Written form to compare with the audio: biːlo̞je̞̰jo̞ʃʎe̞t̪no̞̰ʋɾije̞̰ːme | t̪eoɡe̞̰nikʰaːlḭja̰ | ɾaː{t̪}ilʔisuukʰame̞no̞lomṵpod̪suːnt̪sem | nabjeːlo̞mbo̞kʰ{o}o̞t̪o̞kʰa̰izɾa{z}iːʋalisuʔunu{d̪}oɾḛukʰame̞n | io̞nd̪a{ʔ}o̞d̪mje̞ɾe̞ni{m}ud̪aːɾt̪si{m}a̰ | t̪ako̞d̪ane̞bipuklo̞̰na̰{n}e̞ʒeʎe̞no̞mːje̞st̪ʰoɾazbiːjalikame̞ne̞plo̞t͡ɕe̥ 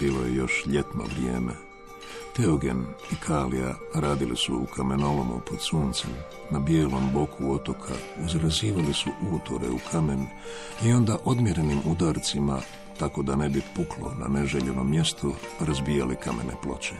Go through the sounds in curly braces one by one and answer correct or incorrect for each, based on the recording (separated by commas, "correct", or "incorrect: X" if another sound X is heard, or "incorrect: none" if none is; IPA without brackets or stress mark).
incorrect: d̪, incorrect: u, correct, incorrect: t̪, correct, correct, correct, correct